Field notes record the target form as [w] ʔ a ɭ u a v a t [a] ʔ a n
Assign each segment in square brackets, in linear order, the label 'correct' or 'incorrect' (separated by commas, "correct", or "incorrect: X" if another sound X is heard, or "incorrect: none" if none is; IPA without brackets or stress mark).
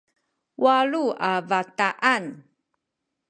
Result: correct, correct